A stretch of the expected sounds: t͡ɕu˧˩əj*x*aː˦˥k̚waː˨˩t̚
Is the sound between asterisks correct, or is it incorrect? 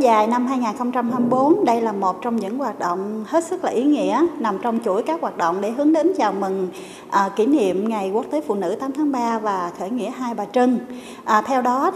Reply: incorrect